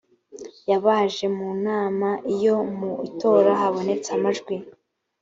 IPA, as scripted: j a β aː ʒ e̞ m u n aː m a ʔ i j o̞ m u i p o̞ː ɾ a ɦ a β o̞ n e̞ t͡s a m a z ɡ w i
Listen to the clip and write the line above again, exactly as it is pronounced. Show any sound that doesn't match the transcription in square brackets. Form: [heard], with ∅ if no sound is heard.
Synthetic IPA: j a β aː ʒ e̞ m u n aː m a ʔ i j o̞ m u i [t] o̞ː ɾ a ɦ a β o̞ n e̞ t͡s a m a [ʒ] ɡ w i